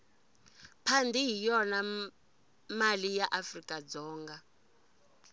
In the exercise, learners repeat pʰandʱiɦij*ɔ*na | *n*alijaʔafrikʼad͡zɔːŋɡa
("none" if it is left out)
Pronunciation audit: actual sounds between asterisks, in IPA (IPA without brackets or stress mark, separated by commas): ɔ, m